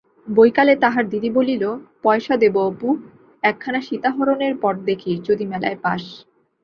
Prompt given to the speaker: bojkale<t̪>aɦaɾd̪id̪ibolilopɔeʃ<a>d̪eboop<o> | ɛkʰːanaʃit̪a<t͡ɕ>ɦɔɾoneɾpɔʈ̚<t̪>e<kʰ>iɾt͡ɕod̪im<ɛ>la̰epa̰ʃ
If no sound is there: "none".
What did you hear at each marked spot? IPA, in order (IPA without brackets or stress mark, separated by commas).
t̪, a, u, none, d̪, kʰ, ɛ